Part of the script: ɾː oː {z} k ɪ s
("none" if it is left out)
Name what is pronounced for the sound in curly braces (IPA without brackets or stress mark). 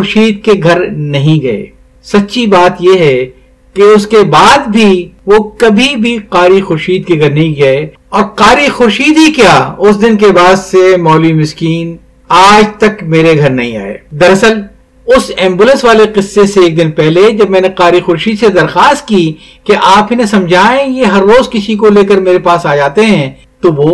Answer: z